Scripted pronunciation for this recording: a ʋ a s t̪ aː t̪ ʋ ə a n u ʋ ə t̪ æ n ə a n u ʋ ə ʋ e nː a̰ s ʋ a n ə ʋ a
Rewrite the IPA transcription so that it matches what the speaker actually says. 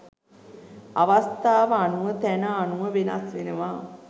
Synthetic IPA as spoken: a ʋ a s t̪ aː ʋ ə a n u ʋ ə t̪ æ n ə a n u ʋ ə ʋ e n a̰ s ʋ e n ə ʋ a

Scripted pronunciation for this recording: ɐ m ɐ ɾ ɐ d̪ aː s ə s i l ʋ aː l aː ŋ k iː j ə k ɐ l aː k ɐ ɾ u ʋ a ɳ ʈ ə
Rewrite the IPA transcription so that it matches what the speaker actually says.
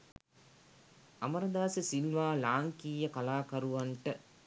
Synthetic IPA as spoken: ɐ m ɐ ɾ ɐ d̪ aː s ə s i l ʋ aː l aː ŋ k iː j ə k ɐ l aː k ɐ ɾ u ʋ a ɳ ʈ ə

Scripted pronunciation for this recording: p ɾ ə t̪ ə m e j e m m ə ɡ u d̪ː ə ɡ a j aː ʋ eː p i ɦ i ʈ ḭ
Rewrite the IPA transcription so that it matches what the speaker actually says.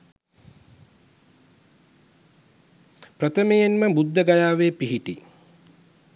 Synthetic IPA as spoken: p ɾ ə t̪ ə m e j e n m ə b u d̪ː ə ɡ a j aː ʋ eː p i ɦ i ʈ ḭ

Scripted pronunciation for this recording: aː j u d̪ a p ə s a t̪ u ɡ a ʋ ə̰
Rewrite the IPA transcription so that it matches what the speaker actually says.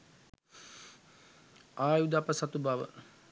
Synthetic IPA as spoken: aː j u d̪ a p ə s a t̪ u b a ʋ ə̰

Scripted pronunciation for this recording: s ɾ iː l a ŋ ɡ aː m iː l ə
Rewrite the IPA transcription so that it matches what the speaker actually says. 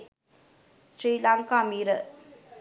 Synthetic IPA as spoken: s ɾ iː l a ŋ k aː m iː ɾ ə

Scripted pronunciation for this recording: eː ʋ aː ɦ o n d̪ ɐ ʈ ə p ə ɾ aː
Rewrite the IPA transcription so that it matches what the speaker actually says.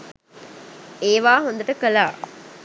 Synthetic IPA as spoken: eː ʋ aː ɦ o n d̪ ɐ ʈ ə k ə l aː

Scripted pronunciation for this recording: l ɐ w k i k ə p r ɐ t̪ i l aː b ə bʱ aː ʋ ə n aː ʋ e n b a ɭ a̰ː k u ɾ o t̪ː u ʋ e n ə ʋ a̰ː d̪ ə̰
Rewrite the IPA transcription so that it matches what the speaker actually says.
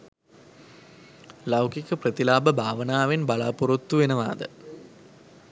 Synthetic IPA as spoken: l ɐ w k i k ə p r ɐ t̪ i l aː b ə bʱ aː ʋ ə n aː ʋ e n b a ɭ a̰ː p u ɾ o t̪ː u ʋ e n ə ʋ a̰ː d̪ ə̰

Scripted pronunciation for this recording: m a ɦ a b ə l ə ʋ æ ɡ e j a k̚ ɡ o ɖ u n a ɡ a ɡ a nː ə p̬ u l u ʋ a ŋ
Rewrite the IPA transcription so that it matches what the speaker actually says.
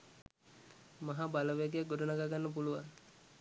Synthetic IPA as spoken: m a ɦ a b a l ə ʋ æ ɡ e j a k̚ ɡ o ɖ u n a ɡ a ɡ a nː ə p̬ u l u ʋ a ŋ

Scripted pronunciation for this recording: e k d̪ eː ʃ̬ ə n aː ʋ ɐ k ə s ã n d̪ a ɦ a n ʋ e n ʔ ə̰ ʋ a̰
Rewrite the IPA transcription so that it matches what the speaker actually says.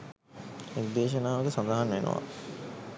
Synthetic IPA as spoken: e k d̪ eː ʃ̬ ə n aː ʋ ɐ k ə s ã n d̪ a ɦ a n ʋ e n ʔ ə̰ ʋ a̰

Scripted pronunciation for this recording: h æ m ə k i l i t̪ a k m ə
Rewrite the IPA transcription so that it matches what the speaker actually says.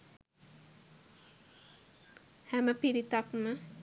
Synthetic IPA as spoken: h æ m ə p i ɾ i t̪ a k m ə

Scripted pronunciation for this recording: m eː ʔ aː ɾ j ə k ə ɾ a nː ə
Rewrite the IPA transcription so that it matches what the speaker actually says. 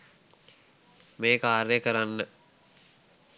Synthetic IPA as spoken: m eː k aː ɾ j ə k ə ɾ a nː ə

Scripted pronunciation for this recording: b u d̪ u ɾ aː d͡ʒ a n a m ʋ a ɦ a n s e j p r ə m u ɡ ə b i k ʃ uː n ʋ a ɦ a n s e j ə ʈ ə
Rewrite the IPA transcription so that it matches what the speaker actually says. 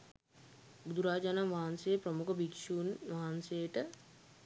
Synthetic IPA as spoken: b u d̪ u ɾ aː d͡ʒ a n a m ʋ a ɦ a n s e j p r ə m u k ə b i k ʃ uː n ʋ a ɦ a n s e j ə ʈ ə

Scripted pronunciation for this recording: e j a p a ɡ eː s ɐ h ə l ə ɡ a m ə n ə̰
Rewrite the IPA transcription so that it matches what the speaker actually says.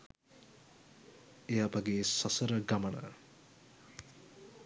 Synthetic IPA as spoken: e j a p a ɡ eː s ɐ s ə ɾ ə ɡ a m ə n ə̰

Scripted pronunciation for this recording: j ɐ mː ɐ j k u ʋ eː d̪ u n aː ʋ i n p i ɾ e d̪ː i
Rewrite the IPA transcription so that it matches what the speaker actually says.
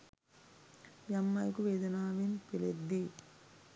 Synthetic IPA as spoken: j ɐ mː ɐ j k u ʋ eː d̪ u n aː ʋ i n p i l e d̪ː i

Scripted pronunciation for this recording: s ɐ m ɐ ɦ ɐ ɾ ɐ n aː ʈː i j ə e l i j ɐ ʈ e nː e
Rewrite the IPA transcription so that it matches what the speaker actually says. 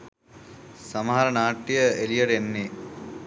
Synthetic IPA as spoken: s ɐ m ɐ ɦ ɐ ɾ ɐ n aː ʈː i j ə e l i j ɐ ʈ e nː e

